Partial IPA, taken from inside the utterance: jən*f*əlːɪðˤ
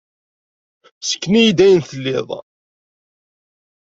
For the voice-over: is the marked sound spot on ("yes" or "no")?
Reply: no